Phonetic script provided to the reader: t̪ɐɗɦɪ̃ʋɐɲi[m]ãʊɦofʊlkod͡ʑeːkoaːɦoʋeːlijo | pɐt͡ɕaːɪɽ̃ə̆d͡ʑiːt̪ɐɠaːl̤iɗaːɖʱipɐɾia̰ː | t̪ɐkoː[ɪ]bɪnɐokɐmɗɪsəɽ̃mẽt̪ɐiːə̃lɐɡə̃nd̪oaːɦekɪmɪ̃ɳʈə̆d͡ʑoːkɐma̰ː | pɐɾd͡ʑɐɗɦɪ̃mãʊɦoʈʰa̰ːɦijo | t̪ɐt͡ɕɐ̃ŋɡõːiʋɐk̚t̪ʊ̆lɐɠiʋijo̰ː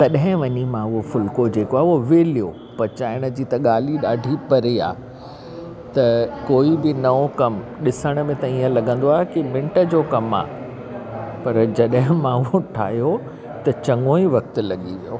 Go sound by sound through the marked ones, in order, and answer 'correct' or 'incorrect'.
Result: correct, incorrect: i

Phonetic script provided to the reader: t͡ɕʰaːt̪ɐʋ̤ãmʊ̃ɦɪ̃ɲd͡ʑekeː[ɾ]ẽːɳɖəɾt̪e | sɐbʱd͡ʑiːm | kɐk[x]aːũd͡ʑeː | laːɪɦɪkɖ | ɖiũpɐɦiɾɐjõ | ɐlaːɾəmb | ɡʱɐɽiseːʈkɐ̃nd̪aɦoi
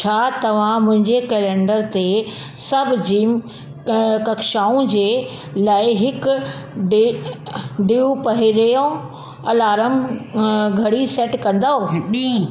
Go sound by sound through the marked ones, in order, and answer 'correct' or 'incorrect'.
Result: incorrect: l, incorrect: ʃ

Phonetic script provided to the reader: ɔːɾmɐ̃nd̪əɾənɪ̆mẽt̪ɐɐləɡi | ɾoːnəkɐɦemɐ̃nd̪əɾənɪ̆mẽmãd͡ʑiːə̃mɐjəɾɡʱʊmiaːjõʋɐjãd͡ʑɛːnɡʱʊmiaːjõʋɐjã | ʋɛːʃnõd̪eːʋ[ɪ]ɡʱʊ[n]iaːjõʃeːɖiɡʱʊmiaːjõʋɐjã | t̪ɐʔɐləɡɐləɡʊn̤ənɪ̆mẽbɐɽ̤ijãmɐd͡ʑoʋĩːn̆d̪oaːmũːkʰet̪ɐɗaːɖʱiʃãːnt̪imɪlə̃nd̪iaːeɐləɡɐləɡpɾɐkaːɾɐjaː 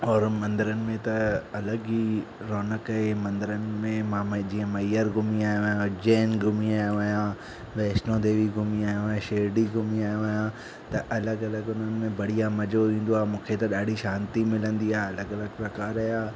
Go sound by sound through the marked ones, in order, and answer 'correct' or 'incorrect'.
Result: incorrect: i, incorrect: m

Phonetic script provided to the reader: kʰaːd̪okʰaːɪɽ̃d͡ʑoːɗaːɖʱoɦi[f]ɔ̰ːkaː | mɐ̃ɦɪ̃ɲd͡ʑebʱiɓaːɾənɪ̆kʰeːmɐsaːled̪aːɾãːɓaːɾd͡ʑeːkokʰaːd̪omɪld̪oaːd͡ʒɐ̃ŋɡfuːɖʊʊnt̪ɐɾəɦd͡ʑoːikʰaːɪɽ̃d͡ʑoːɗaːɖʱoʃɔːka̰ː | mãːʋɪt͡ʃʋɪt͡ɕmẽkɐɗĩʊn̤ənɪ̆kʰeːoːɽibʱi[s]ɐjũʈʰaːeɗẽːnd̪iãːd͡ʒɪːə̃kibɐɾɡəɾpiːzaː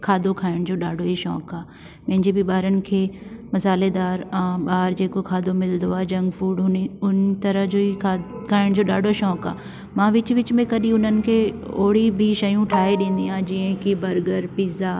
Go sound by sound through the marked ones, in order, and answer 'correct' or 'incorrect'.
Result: incorrect: ʃ, incorrect: ʃ

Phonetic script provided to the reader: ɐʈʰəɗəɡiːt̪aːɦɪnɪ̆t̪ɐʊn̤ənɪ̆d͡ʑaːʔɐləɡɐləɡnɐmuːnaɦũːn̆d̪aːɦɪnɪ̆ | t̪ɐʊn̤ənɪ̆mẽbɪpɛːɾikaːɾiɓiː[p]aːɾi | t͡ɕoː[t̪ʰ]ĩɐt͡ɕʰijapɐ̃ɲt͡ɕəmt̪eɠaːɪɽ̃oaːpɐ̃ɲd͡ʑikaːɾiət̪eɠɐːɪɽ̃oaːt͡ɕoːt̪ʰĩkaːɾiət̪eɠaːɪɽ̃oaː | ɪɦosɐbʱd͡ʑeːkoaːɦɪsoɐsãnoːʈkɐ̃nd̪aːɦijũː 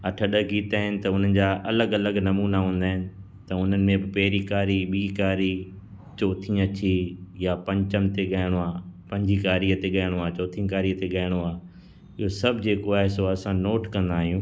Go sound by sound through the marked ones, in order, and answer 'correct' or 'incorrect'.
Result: incorrect: k, correct

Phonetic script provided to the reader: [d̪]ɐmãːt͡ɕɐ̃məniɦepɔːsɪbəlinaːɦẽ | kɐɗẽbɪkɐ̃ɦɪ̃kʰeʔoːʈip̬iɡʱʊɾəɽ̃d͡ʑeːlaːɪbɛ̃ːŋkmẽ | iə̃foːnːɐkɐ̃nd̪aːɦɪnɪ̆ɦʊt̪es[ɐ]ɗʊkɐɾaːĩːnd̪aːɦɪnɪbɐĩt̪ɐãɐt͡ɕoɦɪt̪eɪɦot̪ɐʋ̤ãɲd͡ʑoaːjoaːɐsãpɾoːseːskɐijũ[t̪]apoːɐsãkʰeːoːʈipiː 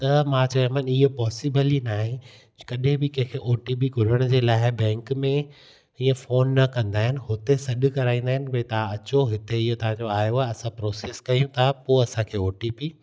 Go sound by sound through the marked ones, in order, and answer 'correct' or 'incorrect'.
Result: incorrect: t̪, correct, incorrect: t̪ʰ

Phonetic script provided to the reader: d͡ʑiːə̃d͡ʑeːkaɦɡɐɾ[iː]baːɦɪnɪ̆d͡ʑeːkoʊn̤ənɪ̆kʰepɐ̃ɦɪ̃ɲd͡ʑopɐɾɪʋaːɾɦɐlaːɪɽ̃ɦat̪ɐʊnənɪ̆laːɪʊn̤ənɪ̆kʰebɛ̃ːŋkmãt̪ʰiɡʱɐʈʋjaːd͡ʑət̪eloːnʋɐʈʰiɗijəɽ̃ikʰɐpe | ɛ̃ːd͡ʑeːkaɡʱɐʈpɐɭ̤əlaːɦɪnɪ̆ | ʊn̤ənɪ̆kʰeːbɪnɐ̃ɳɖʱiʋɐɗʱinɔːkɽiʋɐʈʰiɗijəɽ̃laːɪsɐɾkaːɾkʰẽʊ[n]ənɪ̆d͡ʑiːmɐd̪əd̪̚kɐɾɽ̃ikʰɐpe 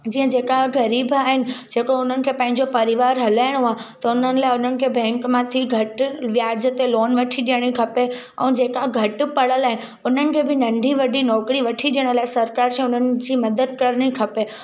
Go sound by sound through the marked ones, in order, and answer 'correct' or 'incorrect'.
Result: correct, correct

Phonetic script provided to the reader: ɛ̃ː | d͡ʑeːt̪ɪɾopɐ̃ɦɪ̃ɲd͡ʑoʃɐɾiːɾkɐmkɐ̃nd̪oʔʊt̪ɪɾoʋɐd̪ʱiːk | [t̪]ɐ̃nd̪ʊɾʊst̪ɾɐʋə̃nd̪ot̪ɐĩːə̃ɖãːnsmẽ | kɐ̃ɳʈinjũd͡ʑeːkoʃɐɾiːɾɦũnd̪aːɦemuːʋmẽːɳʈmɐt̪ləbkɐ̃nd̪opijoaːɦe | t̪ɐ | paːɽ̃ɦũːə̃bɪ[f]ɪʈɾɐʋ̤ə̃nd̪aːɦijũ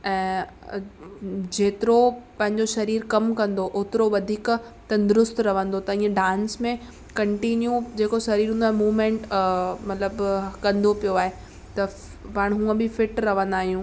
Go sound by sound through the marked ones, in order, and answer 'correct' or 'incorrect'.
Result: correct, correct

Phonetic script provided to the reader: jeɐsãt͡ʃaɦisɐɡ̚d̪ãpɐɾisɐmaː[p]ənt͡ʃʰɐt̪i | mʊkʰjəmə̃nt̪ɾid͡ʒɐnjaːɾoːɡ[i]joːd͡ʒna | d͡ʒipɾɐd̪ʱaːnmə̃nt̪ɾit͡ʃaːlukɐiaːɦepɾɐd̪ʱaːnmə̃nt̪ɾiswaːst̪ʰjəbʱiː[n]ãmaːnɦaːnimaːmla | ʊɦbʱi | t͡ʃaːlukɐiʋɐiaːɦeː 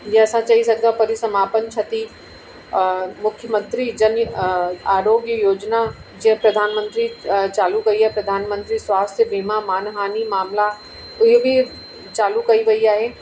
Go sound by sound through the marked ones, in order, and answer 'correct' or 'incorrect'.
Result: correct, incorrect: j, incorrect: m

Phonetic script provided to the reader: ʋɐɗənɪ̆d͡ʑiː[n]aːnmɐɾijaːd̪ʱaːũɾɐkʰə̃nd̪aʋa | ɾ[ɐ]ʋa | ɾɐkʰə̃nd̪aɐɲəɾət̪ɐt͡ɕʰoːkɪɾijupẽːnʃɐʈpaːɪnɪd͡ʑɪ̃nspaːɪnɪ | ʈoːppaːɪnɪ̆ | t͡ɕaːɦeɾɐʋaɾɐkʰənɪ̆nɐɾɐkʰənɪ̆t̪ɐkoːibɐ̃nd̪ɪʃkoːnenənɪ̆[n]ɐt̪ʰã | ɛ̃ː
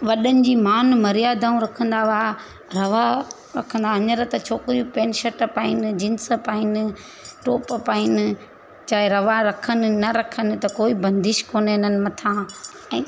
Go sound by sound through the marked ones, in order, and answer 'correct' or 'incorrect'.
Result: incorrect: m, correct, incorrect: m

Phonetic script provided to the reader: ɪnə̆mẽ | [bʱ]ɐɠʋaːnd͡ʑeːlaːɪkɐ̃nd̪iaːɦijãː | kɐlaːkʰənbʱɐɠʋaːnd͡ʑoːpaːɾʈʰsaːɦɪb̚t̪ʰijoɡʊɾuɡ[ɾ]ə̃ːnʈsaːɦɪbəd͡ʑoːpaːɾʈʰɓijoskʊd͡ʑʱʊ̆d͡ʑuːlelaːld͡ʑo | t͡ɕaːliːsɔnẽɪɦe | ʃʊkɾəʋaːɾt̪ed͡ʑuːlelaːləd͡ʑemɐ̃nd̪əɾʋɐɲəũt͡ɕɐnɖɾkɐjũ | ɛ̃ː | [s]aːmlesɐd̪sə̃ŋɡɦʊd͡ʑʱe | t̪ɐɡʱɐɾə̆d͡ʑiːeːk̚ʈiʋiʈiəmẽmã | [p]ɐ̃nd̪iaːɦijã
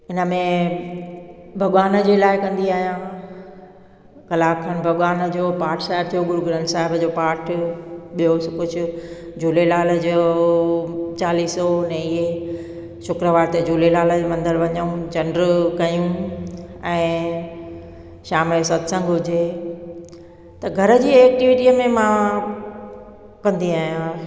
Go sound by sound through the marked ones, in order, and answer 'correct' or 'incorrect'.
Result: correct, correct, incorrect: ʃ, incorrect: k

